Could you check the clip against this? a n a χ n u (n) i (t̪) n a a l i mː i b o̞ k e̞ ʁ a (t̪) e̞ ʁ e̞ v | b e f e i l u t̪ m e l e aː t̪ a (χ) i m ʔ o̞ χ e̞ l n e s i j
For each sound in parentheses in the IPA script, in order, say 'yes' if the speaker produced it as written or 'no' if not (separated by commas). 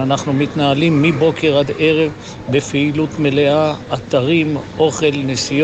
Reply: no, yes, no, no